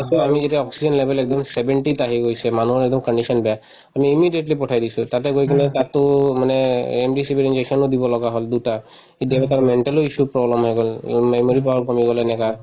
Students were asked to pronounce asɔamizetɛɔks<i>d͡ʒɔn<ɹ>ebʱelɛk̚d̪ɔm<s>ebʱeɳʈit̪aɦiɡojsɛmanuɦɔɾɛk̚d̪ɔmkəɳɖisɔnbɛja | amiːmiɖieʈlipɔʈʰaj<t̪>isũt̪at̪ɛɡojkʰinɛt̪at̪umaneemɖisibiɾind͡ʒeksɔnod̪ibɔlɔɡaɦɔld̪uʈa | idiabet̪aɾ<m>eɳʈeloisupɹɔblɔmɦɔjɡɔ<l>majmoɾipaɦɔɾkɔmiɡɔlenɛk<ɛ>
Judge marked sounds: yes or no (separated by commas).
yes, no, yes, no, yes, yes, no